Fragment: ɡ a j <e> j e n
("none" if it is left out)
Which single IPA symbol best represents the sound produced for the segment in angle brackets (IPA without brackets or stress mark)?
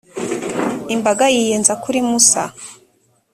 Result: i